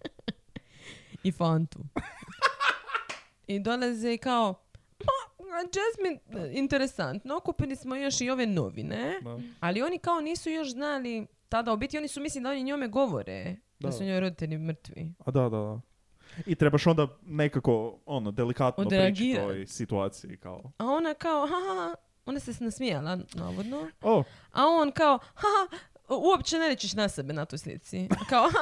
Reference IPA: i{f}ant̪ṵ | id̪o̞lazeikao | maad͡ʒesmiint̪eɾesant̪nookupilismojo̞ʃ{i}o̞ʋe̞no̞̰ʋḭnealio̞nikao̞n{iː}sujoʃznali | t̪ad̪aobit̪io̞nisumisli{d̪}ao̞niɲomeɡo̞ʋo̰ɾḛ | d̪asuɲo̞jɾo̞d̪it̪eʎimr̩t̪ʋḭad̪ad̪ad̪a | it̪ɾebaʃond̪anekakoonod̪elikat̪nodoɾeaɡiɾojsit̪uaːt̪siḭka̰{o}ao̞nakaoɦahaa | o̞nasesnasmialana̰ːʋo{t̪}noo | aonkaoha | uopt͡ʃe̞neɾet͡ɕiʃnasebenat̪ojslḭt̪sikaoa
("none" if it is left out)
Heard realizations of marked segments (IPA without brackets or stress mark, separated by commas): f, i, iː, d̪, o, d̪